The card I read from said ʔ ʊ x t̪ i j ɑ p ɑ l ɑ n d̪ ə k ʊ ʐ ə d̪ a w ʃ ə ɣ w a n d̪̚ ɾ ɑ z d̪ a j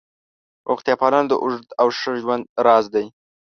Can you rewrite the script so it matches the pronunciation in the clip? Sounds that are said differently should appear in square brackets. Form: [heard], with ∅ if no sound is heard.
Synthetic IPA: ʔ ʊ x t̪ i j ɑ p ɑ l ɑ n d̪ ə [ʔ] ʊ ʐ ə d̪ a w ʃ ə [ʒ] w a n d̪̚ ɾ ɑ z d̪ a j